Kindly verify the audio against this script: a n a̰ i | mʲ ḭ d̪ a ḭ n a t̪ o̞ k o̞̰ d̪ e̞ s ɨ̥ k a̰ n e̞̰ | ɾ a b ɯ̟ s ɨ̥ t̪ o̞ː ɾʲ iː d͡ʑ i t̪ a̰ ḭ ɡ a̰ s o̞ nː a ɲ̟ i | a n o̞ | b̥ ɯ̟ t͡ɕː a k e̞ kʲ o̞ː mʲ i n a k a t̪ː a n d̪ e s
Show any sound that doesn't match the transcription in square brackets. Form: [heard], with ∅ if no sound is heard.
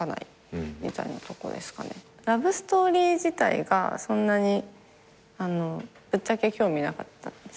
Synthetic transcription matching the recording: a n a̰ i | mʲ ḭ [t̪] a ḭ n a t̪ o̞ k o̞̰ d̪ e̞ s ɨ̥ k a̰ n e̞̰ | ɾ a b ɯ̟ s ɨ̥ t̪ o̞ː ɾʲ iː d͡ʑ i t̪ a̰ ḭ ɡ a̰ s [õ̞] nː a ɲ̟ i | a n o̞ | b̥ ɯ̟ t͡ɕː a k e̞ kʲ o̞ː mʲ i n a k a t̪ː a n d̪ e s

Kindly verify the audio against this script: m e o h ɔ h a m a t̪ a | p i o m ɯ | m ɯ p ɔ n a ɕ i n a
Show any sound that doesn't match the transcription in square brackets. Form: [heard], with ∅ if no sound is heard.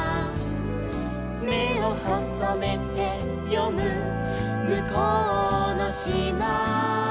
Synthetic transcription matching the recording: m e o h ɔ [s] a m [e] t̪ [e] | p [j] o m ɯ | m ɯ [k] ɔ n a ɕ i [m] a

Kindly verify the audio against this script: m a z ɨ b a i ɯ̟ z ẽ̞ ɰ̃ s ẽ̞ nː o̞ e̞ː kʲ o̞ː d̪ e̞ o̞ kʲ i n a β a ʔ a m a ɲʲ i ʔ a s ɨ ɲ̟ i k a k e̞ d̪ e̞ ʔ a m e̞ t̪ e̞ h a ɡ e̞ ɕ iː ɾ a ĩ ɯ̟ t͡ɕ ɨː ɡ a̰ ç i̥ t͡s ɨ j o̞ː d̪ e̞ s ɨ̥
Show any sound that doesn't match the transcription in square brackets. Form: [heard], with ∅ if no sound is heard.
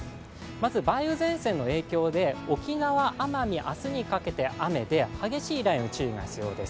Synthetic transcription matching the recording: m a z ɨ b a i ɯ̟ z ẽ̞ ɰ̃ s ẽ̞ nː o̞ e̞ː kʲ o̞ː d̪ e̞ o̞ kʲ i n a β a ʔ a m a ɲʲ i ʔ a s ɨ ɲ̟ i k a k e̞ [t̪] e̞ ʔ a m e̞ [d̪] e̞ h a ɡ e̞ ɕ iː ɾ a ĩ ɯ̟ t͡ɕ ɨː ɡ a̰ ç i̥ t͡s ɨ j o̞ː d̪ e̞ s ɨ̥

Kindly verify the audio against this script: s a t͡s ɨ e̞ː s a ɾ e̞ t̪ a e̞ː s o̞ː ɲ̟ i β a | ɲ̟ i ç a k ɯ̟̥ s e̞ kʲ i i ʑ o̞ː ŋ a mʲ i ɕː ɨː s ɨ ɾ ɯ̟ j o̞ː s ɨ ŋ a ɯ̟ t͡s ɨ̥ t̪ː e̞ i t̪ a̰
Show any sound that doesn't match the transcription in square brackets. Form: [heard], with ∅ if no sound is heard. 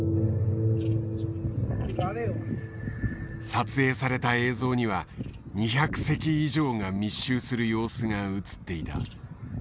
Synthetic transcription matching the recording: s a t͡s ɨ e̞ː s a ɾ e̞ t̪ a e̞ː [z] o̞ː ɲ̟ i β a | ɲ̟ i ç a k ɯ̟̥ s e̞ kʲ i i ʑ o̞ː ŋ a mʲ i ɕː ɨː s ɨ ɾ ɯ̟ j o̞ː s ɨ ŋ a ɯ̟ t͡s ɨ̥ t̪ː e̞ i t̪ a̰

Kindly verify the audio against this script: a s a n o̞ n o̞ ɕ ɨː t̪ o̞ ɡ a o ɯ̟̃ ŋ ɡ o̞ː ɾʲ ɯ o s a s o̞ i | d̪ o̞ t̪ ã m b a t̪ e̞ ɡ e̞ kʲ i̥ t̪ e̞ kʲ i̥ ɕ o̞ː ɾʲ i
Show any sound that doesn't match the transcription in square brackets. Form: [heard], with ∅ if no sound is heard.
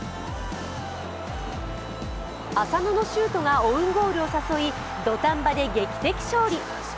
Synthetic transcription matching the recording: a s a n o̞ n o̞ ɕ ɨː t̪ o̞ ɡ a o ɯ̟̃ ŋ ɡ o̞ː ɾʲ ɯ o s a s o̞ i | d̪ o̞ t̪ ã m b a [d̪] e̞ ɡ e̞ kʲ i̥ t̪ e̞ kʲ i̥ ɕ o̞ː ɾʲ i

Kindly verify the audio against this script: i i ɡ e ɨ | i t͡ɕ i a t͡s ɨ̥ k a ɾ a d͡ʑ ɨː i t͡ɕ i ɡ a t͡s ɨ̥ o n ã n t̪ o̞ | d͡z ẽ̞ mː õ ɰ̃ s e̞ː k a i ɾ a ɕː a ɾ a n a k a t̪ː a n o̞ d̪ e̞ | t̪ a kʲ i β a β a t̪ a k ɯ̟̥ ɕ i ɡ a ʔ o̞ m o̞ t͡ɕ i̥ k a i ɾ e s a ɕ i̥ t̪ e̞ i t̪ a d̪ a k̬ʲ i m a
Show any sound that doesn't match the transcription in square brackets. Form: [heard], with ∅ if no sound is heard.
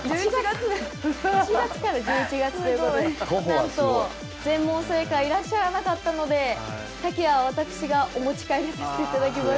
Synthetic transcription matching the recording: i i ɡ [a] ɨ | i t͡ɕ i a t͡s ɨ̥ k a ɾ a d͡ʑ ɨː i t͡ɕ i ɡ a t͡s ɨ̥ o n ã n t̪ o̞ | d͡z ẽ̞ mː õ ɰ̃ s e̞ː k a i ɾ a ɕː a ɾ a n a k a t̪ː a n o̞ d̪ e̞ | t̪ a kʲ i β a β a t̪ a k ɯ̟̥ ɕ i ɡ a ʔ o̞ m o̞ t͡ɕ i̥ k a i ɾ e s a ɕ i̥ t̪ e̞ i t̪ a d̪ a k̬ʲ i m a

